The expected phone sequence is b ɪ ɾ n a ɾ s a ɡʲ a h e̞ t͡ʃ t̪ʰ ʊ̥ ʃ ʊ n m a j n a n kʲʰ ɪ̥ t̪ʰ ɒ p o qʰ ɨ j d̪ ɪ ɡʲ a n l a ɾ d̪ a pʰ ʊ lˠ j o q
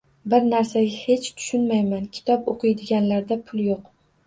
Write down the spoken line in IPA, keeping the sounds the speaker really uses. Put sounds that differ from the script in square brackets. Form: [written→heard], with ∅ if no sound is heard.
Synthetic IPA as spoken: b ɪ ɾ n a ɾ s a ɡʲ a h e̞ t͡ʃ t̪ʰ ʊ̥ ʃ ʊ n m a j [n→m] a n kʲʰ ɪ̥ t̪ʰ ɒ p o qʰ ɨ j d̪ ɪ ɡʲ a n l a ɾ d̪ a pʰ ʊ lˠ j o q

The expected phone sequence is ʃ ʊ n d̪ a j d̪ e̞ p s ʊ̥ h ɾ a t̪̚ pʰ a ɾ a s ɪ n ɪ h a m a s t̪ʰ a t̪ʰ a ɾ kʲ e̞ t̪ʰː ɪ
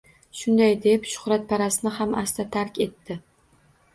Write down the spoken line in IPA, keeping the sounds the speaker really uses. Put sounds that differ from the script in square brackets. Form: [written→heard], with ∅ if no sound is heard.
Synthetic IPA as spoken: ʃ ʊ n d̪ a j d̪ e̞ p [s→ʃ] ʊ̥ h ɾ a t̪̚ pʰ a ɾ a s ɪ n ɪ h a m a s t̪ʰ a t̪ʰ a ɾ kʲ e̞ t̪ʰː ɪ

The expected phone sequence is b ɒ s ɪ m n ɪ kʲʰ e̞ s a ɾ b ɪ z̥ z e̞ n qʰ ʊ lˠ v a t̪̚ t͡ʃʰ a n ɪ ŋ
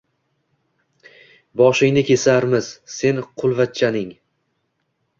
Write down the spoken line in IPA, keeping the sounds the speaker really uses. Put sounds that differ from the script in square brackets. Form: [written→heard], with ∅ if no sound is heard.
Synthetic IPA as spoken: b ɒ [s→ʃ] ɪ [m→ŋ] n ɪ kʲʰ e̞ s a ɾ [b→m] ɪ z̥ [z→s] e̞ n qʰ ʊ lˠ v a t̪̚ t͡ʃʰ a n ɪ ŋ

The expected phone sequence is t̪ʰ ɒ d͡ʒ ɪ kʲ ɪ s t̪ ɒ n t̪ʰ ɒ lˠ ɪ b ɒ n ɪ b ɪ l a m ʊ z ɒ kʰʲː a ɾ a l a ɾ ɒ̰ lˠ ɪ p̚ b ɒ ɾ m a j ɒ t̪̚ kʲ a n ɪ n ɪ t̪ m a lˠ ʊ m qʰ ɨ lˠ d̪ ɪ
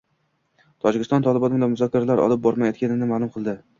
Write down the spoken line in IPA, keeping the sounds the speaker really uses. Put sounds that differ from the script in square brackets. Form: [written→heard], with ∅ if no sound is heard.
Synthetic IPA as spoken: t̪ʰ ɒ d͡ʒ ɪ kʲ ɪ s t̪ ɒ n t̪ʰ ɒ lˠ ɪ b ɒ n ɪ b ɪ l a m ʊ z ɒ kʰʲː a ɾ a l a ɾ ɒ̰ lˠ ɪ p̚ b ɒ ɾ m a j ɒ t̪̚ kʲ a n ɪ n ɪ [t̪→∅] m a lˠ ʊ m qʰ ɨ lˠ d̪ ɪ

